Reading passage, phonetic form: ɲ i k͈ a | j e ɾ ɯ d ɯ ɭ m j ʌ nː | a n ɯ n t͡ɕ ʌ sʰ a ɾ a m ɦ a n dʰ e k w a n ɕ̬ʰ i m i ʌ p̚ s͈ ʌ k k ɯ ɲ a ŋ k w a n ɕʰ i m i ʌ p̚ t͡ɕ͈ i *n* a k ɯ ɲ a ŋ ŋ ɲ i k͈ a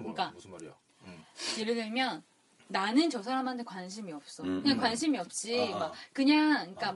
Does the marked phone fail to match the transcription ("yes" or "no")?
yes